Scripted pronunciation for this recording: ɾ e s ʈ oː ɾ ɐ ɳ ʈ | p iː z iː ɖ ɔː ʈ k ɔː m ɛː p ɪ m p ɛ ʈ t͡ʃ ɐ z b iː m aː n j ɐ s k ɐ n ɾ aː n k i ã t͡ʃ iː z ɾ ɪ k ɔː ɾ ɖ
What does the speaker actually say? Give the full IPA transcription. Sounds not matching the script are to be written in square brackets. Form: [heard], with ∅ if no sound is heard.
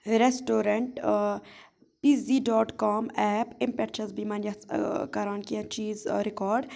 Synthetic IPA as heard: ɾ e s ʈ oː ɾ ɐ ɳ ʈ | p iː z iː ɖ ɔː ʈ k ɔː m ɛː p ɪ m p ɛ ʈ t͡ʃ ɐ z b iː m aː n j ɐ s k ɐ [∅] ɾ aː n k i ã t͡ʃ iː z ɾ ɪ k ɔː ɾ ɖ